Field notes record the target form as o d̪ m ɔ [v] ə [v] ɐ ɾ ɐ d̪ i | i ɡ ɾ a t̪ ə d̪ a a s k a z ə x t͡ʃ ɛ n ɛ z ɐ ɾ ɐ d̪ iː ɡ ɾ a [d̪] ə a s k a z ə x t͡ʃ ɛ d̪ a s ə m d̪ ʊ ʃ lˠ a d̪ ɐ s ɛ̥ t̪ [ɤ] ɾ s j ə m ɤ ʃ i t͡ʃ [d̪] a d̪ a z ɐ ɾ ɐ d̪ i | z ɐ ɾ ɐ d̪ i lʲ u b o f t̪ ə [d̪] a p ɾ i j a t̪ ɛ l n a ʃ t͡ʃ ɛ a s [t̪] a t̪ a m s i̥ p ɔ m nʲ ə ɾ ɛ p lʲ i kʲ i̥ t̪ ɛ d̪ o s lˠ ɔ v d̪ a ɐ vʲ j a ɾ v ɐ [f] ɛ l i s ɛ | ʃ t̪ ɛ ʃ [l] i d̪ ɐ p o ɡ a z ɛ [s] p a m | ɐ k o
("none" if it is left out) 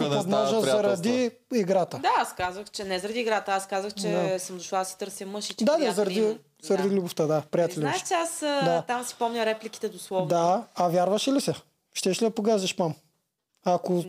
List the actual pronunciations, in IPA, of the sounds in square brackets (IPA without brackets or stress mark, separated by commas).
ʒ, z, t̪, ɤ, d̪, d̪, d̪, ʃ, l, ʃ